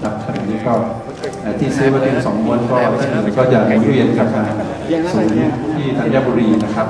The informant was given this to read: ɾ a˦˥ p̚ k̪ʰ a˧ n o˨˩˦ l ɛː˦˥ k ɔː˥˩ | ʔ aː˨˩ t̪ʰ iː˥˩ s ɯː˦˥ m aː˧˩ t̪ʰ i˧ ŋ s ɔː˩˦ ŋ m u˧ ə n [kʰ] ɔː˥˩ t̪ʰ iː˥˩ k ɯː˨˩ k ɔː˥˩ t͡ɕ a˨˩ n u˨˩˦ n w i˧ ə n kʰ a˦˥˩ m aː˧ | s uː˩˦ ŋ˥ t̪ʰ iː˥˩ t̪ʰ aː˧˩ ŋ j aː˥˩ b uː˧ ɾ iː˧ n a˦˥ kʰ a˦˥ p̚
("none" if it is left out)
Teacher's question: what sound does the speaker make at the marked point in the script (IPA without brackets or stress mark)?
k